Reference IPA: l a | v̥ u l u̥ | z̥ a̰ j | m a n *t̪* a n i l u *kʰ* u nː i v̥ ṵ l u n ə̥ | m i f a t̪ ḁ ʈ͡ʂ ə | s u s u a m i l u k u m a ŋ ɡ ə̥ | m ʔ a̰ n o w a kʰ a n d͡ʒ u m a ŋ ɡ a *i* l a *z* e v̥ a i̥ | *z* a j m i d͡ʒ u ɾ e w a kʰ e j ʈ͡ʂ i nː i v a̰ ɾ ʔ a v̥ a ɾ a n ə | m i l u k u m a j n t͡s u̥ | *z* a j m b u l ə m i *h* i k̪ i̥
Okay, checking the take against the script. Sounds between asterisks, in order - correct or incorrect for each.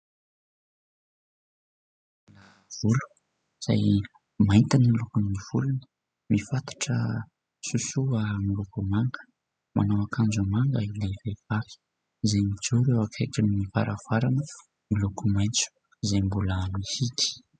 correct, incorrect: k, correct, incorrect: v, correct, correct, correct

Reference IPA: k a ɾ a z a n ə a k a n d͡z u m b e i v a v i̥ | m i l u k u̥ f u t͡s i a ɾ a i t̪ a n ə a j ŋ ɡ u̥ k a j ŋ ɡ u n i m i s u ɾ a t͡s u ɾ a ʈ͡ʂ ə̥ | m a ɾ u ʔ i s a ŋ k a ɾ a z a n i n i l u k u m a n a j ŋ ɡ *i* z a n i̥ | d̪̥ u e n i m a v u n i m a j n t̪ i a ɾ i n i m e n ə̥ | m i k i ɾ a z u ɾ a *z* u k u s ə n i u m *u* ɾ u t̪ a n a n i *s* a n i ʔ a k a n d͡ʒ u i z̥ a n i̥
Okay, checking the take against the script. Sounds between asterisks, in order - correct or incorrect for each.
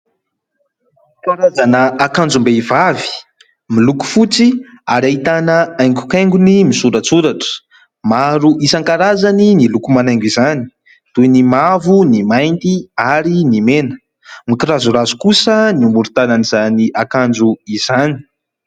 correct, correct, correct, incorrect: z

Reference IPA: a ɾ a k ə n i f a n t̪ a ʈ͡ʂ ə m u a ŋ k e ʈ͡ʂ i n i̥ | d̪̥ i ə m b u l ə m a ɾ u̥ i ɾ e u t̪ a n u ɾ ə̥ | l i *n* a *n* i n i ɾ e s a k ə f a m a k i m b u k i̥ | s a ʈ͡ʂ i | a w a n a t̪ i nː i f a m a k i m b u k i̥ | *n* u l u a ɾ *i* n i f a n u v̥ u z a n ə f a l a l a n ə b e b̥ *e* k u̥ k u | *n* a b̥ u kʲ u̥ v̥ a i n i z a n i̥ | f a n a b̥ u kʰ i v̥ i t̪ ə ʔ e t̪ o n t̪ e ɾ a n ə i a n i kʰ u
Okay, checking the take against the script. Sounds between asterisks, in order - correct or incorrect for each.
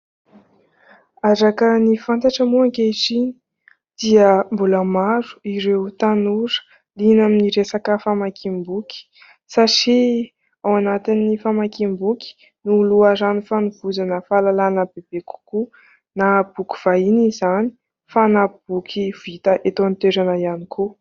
correct, incorrect: m, correct, incorrect: a, correct, correct

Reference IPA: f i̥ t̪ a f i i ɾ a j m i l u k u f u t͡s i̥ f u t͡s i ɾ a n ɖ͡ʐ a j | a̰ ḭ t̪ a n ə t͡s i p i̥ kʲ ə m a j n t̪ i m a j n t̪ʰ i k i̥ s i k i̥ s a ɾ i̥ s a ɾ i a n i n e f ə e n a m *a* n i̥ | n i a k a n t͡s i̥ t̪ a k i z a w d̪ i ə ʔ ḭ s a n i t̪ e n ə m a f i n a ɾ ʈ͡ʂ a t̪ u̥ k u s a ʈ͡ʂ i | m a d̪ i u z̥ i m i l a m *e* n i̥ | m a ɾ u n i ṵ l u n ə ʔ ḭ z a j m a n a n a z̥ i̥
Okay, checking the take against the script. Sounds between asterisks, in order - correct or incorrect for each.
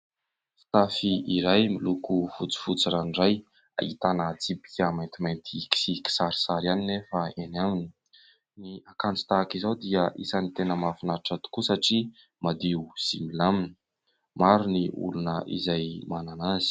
incorrect: i, incorrect: i

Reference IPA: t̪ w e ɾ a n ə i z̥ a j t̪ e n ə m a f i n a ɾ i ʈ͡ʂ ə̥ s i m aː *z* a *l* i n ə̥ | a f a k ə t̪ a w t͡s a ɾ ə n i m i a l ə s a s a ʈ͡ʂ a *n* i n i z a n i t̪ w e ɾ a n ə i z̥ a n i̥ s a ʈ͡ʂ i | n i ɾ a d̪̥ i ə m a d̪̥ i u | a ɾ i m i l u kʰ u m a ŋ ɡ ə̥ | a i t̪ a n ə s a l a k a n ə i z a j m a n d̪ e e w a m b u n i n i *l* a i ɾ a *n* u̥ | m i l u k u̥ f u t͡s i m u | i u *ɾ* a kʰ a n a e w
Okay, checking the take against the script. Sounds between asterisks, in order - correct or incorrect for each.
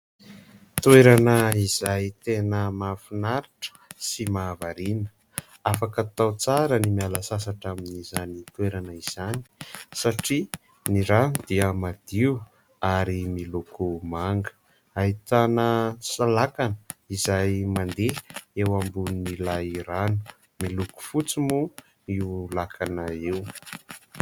incorrect: v, incorrect: ɾ, incorrect: m, correct, correct, incorrect: l

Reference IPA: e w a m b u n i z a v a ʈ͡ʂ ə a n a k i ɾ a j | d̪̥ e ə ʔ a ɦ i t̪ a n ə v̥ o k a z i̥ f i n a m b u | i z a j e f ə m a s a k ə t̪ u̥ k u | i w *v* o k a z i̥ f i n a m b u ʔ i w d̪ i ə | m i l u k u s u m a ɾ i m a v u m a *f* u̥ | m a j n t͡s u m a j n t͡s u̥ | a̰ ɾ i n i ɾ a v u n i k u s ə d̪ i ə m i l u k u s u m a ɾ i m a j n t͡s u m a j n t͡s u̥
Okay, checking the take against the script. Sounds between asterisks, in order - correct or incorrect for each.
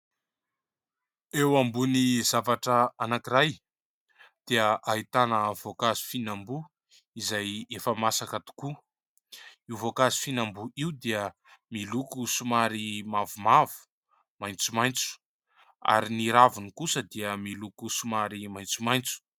correct, incorrect: v

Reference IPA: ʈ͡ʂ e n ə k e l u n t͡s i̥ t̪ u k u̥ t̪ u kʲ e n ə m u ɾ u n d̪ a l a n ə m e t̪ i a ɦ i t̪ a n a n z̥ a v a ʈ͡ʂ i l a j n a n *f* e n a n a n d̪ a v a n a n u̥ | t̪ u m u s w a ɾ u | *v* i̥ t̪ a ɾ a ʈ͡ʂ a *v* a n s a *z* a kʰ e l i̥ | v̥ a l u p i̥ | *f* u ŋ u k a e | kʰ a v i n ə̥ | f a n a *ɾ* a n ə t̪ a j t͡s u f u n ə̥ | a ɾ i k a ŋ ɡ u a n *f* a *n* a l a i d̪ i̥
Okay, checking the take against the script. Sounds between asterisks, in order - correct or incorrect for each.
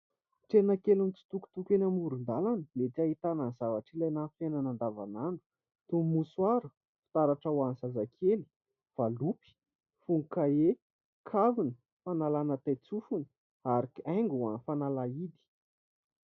correct, incorrect: f, incorrect: w, correct, correct, incorrect: l, correct, correct

